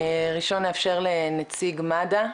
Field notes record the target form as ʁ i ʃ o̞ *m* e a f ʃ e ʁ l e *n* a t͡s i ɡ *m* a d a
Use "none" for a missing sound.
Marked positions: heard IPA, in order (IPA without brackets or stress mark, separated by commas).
n, n, m